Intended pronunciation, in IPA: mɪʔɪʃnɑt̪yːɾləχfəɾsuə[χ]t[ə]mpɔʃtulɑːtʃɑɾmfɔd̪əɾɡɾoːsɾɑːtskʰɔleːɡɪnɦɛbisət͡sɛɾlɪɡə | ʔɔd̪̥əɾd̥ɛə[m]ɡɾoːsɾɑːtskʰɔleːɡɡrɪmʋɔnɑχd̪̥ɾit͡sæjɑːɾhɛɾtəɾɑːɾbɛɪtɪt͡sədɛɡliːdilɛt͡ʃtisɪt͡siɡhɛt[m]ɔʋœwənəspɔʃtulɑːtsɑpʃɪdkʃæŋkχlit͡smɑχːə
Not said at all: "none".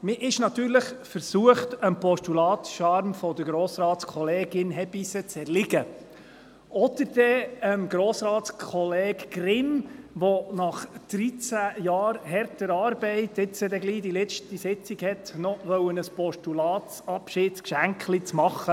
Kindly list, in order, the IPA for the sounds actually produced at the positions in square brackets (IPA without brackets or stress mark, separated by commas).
χ, ə, m, n